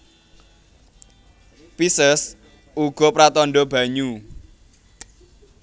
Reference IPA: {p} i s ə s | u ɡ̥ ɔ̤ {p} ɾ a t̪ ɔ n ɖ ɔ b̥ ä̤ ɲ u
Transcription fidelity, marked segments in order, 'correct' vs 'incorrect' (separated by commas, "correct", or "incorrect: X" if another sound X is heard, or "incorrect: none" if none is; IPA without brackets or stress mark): correct, correct